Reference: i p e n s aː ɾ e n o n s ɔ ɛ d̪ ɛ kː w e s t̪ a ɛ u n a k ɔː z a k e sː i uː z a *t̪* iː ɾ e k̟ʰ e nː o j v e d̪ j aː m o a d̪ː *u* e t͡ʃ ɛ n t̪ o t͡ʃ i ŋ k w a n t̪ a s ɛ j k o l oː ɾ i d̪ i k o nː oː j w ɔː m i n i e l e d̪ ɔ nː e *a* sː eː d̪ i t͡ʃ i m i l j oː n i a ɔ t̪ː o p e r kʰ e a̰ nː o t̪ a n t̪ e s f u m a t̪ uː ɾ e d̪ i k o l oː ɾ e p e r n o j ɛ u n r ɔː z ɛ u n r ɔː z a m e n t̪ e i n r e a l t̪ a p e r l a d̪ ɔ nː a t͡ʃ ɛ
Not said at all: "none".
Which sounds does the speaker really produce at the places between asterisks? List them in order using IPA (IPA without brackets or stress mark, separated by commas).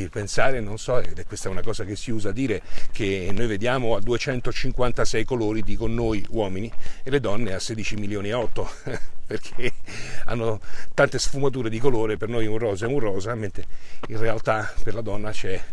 d̪, u, a